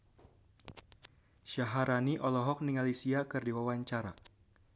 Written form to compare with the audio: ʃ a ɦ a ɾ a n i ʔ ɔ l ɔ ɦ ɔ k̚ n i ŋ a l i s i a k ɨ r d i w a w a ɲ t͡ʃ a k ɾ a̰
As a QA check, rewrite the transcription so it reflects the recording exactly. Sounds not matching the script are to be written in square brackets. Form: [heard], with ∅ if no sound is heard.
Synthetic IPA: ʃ a ɦ a ɾ a n i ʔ ɔ l ɔ ɦ ɔ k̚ n i ŋ a l i s i a k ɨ r d i w a w a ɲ t͡ʃ a [∅] ɾ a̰